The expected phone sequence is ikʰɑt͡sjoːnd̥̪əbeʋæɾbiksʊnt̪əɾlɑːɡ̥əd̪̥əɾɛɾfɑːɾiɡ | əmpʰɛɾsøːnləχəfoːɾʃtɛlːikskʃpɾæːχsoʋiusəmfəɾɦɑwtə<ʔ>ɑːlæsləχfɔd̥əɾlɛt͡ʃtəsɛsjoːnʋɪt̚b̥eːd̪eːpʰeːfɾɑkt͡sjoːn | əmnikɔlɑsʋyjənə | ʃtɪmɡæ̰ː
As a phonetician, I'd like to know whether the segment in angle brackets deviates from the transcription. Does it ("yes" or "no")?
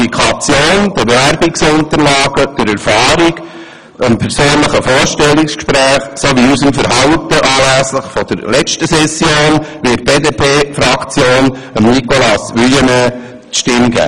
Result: no